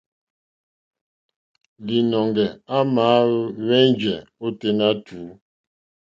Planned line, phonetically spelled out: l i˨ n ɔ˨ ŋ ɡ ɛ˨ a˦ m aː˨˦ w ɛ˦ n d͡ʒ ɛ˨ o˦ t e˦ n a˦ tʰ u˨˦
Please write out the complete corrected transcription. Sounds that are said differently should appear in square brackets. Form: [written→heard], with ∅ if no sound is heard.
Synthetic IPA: l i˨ n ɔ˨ ŋ ɡ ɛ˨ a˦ m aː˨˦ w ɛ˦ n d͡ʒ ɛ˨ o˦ t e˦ n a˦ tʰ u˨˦